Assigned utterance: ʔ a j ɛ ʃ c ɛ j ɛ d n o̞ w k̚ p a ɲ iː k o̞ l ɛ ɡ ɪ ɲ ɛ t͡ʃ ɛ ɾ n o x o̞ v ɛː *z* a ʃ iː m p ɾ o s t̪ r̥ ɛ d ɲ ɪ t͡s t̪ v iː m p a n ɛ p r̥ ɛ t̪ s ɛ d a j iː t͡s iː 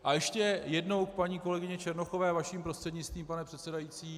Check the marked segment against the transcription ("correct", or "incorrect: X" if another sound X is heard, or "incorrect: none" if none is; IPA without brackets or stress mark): incorrect: v